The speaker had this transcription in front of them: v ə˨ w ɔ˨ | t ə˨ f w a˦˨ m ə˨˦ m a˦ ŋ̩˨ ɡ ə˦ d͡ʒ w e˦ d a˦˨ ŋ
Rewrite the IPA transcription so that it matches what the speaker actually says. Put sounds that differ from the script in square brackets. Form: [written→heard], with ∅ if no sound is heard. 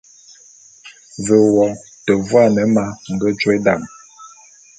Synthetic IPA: v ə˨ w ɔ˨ | t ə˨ [f→v] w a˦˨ [m→n] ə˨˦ m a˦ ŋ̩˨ ɡ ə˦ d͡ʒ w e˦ d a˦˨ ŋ

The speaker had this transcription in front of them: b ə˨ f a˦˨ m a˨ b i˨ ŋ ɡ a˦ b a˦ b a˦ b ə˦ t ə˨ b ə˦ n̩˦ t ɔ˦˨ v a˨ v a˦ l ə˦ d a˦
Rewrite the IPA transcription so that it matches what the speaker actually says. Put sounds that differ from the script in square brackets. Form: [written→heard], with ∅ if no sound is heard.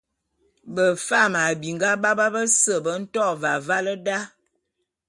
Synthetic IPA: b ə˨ f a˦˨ m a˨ b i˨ ŋ ɡ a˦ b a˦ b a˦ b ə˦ [t→s] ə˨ b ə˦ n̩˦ t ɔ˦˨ v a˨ v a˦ l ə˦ d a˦

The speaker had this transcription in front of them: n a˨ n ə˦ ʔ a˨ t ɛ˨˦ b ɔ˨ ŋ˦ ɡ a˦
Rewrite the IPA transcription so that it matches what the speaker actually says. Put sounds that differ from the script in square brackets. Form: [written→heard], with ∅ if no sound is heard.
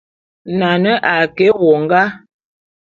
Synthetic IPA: n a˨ n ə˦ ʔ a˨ [t→k] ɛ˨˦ [b→w] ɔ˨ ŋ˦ ɡ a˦

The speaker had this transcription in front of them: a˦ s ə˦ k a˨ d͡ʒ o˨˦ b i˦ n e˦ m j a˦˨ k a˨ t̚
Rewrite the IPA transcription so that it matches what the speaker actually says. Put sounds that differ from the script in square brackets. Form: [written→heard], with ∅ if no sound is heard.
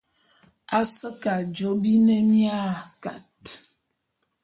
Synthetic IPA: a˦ s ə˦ k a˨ d͡ʒ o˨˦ b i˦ n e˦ m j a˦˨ k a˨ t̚

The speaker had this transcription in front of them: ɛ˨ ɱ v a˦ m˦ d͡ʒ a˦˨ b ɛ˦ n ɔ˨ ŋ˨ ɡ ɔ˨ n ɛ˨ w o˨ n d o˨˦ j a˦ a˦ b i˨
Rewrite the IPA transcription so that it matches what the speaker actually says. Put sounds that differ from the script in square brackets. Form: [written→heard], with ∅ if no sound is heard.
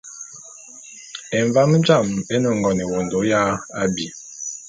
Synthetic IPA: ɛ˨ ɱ v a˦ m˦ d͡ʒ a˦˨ [b→m] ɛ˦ n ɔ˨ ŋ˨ ɡ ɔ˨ n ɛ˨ w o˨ n d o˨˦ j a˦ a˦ b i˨

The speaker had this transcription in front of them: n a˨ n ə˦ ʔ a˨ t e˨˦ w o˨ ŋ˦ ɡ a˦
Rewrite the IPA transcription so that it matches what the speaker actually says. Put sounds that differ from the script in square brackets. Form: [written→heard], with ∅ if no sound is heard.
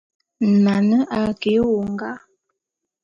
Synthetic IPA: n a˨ n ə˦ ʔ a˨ [t→k] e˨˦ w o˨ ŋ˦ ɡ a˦

